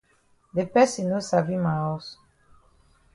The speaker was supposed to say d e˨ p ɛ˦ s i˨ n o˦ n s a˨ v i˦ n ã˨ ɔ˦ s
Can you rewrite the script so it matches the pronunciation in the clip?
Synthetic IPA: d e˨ p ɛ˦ s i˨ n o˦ s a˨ v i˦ m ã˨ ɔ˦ s